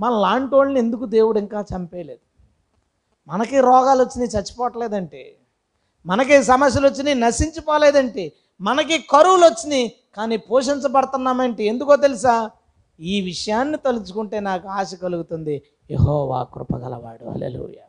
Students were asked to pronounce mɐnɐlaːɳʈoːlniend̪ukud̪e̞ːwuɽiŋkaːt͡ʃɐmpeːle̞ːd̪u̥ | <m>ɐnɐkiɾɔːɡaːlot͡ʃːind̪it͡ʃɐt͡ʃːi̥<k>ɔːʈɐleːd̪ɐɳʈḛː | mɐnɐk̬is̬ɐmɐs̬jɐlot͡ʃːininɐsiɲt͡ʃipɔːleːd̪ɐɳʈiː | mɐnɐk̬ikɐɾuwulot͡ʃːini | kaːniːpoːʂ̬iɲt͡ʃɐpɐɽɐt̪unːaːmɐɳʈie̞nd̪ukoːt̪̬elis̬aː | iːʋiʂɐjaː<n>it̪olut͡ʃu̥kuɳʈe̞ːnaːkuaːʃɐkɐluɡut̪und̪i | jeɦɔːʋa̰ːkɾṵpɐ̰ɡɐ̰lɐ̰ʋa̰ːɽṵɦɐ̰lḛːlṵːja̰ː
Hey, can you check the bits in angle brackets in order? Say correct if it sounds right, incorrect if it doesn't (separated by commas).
correct, incorrect, incorrect